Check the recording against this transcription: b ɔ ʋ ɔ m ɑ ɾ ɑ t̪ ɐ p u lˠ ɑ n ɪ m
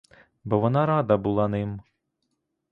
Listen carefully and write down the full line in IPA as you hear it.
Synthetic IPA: b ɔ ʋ ɔ n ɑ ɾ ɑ d̪ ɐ b u lˠ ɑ n ɪ m